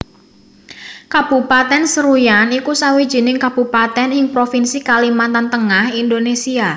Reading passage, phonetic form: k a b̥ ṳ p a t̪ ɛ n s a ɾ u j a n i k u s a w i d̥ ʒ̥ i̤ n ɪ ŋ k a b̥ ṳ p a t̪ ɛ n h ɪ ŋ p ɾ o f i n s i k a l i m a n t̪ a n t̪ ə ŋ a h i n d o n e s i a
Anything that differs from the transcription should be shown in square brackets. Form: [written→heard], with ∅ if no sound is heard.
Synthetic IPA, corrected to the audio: k a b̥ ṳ p a t̪ ɛ n s [a→ə] ɾ u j a n i k u s a w i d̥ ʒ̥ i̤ n ɪ ŋ k a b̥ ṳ p a t̪ ɛ n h ɪ ŋ p ɾ o f i n s i k a l i m a n t̪ a n t̪ ə ŋ a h i n d o n e s i a

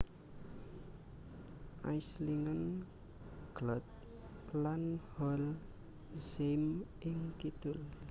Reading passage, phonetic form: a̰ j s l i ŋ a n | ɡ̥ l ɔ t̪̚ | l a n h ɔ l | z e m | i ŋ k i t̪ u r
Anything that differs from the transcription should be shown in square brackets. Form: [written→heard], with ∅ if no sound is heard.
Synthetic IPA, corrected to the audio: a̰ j s l i ŋ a n | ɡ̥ l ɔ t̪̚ | l a n h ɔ l | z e m | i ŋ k i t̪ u [r→l]

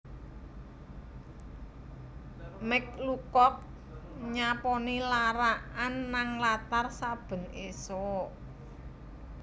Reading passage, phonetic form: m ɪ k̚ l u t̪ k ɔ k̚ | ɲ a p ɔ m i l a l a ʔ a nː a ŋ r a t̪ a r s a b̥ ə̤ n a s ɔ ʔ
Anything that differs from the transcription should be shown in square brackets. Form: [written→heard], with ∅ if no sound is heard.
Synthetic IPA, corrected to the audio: m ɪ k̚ l u [t̪→∅] k ɔ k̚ | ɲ a p ɔ [m→n] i l a [l→ɾ] a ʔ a nː a ŋ [r→l] a t̪ a r s a b̥ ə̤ n [a→e] s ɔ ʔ

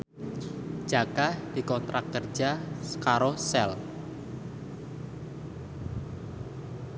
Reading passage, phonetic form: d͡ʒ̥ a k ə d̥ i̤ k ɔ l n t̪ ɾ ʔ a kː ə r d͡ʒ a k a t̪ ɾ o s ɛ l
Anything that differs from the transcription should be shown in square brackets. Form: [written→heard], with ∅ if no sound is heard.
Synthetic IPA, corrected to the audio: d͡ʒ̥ a k [ə→a] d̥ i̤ k ɔ [l→∅] n t̪ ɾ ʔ a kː ə r d͡ʒ a k a [t̪→∅] ɾ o s ɛ l

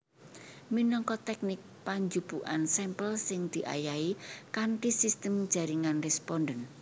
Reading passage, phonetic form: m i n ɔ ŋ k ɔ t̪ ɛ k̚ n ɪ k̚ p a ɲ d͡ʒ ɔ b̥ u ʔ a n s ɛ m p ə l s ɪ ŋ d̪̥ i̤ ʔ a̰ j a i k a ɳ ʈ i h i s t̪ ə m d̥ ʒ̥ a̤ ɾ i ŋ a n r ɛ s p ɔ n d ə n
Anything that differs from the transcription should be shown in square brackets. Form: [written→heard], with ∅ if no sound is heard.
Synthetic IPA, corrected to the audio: m i n ɔ ŋ k ɔ t̪ ɛ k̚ n ɪ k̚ p a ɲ d͡ʒ [ɔ→u] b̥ u ʔ a n s ɛ m p ə l s ɪ ŋ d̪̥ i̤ ʔ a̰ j a i k a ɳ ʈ i [h→s] i s t̪ ə m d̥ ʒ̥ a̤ ɾ i ŋ a n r ɛ s p ɔ n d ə n

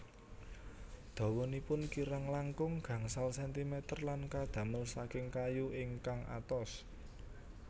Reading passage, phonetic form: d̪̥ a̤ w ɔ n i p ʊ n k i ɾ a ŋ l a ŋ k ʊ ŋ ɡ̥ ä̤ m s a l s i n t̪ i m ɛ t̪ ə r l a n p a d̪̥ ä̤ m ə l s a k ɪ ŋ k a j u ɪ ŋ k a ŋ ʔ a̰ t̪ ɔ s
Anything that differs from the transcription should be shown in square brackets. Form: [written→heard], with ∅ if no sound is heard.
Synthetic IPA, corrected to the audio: d̪̥ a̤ w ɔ n i p ʊ n k i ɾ a ŋ l a ŋ k ʊ ŋ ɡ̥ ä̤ [m→ŋ] s a l s [i→ɛ] n t̪ i m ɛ t̪ ə r l a n [p→k] a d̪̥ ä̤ m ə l s a k ɪ ŋ k a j u ɪ ŋ k a ŋ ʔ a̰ t̪ ɔ s

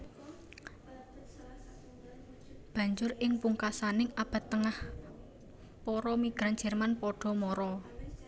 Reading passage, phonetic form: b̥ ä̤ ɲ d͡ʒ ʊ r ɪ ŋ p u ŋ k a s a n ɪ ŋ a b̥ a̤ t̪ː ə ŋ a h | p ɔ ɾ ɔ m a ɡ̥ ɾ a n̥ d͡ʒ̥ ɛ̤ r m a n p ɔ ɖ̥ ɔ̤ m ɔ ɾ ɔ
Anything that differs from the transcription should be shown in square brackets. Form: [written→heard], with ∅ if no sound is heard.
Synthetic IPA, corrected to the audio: b̥ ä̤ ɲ d͡ʒ ʊ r ɪ ŋ p u ŋ k a s a n ɪ ŋ a b̥ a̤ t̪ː ə ŋ a h | p ɔ ɾ ɔ m [a→i] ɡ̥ ɾ a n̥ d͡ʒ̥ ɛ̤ r m a n p ɔ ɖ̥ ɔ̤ m ɔ ɾ ɔ

